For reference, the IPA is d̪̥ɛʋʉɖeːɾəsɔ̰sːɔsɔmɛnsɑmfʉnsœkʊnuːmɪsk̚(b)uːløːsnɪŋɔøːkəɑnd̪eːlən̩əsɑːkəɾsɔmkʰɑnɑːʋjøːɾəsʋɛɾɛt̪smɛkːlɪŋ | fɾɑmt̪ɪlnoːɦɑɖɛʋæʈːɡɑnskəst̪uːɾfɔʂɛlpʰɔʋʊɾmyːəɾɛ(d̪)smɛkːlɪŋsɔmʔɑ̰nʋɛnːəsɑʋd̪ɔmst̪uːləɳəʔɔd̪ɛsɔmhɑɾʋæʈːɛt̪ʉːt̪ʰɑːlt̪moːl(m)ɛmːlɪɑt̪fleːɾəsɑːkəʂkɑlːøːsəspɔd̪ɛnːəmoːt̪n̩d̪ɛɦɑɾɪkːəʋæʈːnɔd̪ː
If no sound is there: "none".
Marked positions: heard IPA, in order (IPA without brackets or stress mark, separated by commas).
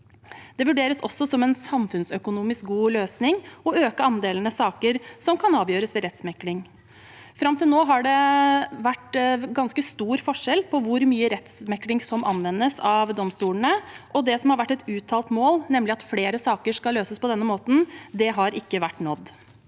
ɡ, t̪, n